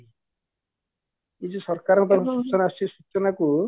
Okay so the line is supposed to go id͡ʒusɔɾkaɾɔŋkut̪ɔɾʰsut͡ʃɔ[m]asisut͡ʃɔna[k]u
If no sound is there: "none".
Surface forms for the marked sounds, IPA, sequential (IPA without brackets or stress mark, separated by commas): n, k